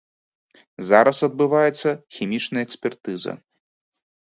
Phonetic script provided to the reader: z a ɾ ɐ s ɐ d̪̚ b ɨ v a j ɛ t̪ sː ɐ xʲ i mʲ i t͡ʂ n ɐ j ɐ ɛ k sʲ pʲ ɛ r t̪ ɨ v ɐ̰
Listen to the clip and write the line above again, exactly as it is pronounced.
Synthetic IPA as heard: z a ɾ ɐ s ɐ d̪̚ b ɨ v a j ɛ t̪ sː ɐ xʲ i mʲ i t͡ʂ n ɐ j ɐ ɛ k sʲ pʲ ɛ r t̪ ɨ z ɐ̰